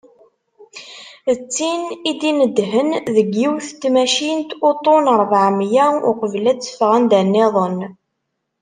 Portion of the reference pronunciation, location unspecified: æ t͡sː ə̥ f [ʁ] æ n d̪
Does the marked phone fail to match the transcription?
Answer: no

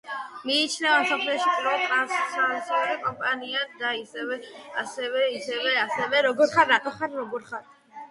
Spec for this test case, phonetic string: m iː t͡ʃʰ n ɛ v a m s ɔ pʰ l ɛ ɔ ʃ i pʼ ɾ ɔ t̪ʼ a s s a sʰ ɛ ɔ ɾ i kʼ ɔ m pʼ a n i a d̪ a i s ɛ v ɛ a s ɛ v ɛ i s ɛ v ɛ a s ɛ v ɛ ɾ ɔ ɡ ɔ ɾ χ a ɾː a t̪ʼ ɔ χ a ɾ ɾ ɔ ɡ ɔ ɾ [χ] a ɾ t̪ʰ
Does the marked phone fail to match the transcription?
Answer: no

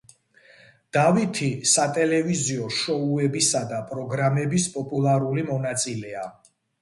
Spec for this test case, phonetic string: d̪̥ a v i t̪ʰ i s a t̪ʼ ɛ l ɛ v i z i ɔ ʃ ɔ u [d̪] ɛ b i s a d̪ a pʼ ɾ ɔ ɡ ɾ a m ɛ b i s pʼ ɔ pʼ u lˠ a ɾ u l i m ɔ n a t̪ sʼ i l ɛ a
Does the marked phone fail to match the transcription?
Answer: yes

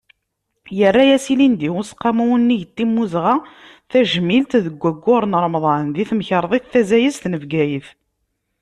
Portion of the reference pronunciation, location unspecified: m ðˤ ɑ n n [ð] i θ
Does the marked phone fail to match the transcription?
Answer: no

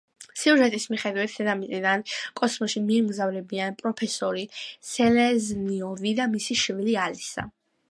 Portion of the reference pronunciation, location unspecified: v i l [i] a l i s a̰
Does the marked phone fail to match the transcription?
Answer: no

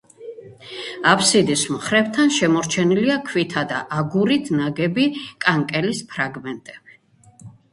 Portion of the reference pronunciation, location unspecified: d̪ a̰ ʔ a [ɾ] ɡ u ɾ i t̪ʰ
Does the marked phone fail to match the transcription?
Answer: yes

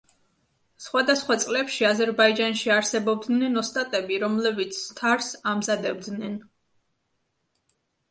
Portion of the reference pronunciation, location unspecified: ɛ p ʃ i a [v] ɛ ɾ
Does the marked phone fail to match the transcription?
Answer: yes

